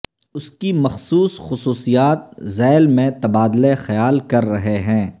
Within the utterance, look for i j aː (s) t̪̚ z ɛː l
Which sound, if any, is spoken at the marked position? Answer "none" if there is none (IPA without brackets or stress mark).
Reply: none